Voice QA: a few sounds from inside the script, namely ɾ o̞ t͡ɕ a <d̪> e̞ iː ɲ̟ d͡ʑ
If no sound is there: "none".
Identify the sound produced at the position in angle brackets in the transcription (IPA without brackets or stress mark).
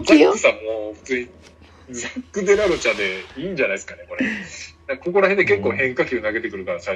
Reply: d̪